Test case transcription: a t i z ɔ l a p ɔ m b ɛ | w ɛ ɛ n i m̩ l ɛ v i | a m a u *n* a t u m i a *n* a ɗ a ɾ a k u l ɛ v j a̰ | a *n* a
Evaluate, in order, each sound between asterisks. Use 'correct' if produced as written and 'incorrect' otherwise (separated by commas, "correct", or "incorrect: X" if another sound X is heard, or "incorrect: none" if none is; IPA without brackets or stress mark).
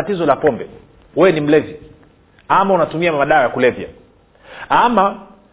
correct, incorrect: m, incorrect: m